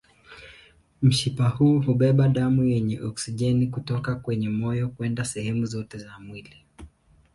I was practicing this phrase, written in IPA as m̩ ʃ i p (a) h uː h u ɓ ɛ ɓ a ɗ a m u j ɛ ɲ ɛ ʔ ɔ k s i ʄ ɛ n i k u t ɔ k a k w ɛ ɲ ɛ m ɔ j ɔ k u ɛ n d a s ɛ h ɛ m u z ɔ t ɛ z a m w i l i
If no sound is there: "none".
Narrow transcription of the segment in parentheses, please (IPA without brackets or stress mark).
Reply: a